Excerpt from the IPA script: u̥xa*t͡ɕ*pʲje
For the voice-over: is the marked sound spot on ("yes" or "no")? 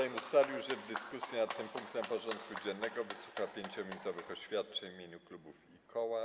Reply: no